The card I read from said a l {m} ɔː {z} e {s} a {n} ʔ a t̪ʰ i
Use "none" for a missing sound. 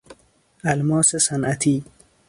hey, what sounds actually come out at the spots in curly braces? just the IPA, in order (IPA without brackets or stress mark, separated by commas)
m, s, s, n